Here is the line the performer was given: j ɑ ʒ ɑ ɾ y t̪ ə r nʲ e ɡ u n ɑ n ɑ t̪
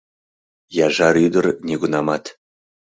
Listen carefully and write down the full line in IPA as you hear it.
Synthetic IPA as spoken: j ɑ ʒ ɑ ɾ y d̪ ə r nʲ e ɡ u n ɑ m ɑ t̪